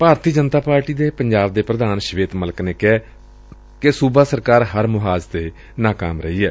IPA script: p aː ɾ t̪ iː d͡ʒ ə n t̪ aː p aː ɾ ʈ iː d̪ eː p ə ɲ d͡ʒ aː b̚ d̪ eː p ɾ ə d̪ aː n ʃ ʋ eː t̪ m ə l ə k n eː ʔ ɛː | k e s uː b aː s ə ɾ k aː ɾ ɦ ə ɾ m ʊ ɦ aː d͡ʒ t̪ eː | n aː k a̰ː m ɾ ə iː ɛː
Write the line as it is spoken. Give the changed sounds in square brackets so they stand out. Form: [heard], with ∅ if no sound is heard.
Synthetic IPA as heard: p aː ɾ t̪ iː d͡ʒ ə n t̪ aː p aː ɾ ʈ iː d̪ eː p ə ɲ d͡ʒ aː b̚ d̪ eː p ɾ ə d̪ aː n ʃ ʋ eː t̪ m ə l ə k n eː [k] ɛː | k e s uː b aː s ə ɾ k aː ɾ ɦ ə ɾ m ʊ ɦ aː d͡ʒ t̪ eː | n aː k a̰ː m ɾ ə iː ɛː